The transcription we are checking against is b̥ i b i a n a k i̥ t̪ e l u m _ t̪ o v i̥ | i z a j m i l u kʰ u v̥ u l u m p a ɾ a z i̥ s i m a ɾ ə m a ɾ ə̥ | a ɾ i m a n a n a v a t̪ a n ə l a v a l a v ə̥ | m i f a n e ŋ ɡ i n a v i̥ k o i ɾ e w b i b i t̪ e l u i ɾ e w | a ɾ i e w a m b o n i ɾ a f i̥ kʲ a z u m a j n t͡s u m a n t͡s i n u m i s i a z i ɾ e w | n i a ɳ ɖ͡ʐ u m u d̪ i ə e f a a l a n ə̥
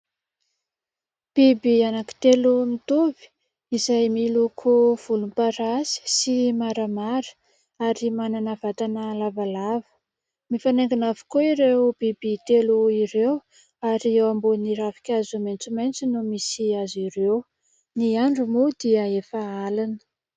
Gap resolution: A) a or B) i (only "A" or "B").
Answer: B